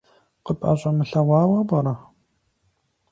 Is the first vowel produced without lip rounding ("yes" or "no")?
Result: yes